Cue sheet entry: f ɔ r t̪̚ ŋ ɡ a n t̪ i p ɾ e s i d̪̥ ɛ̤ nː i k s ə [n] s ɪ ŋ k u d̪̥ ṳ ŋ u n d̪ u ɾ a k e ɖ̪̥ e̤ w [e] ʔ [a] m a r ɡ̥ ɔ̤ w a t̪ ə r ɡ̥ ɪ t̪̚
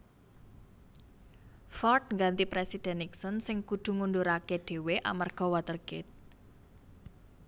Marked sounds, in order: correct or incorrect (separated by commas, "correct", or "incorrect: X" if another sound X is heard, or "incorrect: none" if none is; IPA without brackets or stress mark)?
correct, correct, correct